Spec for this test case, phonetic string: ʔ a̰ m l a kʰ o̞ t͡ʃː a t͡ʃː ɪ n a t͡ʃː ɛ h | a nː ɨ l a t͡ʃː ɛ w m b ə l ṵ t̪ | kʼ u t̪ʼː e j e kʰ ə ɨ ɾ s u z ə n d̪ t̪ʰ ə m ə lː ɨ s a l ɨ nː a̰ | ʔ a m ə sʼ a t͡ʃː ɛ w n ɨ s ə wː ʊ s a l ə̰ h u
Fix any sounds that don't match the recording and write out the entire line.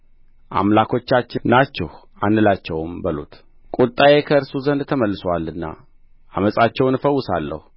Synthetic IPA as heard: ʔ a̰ m l a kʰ o̞ t͡ʃː a t͡ʃː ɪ n a t͡ʃː ɛ h | a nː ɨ l a t͡ʃː ɛ w m b ə l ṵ t̪ | kʼ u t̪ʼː a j e kʰ ə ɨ ɾ s u z ə n d̪ t̪ʰ ə m ə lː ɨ s a l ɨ nː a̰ | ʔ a m ə sʼ a t͡ʃː ɛ w n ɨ f ə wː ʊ s a lː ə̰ h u